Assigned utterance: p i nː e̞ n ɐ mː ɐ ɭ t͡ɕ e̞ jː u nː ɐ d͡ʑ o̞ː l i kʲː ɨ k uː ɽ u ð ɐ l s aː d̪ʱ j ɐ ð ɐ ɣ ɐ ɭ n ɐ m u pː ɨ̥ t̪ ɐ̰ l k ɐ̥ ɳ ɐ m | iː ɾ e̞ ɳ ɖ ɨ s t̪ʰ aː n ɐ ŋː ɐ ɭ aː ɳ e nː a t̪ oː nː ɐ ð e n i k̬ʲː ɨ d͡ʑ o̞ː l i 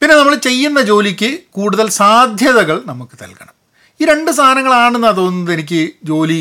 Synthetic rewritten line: p i nː e̞ n ɐ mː ɐ ɭ t͡ɕ e̞ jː u nː ɐ d͡ʑ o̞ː l i kʲː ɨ k uː ɽ u ð ɐ l s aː d̪ʱ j ɐ ð ɐ ɣ ɐ ɭ n ɐ m u kː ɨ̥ t̪ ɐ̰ l k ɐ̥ ɳ ɐ m | iː ɾ e̞ ɳ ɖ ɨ s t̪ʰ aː n ɐ ŋː ɐ ɭ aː ɳ e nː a t̪ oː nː ɐ ð e n i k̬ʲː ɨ d͡ʑ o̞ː l i